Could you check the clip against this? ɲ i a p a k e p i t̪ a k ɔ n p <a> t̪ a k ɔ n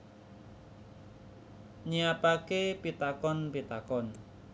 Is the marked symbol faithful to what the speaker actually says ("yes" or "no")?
no